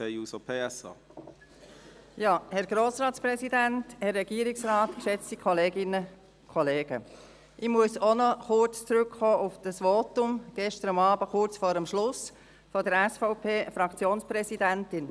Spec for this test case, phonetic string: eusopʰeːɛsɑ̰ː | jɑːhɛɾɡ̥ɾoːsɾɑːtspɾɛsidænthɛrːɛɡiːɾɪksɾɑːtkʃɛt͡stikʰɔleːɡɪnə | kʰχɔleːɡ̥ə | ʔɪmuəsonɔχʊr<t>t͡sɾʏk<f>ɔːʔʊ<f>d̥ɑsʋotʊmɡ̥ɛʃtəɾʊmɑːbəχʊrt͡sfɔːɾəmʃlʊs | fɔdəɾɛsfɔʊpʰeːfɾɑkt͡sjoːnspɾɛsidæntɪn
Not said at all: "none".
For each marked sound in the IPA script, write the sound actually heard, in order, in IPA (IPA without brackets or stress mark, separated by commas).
t͡s, χ, f